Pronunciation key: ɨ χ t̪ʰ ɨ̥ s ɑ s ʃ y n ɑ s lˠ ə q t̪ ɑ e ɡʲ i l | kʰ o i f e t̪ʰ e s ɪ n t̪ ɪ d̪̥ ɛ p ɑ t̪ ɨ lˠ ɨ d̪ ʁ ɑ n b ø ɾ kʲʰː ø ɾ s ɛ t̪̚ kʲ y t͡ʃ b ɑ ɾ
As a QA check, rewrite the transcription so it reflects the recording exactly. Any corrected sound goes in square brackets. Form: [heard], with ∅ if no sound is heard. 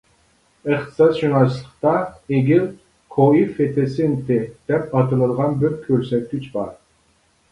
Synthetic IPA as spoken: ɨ χ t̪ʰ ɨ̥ s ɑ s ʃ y n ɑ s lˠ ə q t̪ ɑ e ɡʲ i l | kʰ o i f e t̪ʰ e s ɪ n t̪ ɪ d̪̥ ɛ p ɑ t̪ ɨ lˠ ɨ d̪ ʁ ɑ n b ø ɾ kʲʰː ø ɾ s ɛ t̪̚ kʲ y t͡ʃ b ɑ ɾ